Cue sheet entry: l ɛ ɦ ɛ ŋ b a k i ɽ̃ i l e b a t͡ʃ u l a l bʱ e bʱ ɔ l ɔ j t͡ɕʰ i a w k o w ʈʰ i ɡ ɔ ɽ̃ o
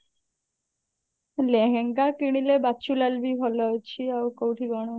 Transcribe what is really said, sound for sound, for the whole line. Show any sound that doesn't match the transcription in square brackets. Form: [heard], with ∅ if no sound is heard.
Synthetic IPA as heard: l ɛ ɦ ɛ ŋ [ɡ] a k i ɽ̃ i l e b a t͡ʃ u l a l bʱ [i] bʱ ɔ l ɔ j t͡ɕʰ i a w k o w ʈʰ i ɡ ɔ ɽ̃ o